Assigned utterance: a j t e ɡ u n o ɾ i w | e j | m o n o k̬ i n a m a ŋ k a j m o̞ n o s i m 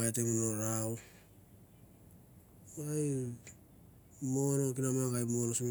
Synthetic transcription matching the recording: a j t e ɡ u n o ɾ a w | a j | m o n o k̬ i n a m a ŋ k a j m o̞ n o s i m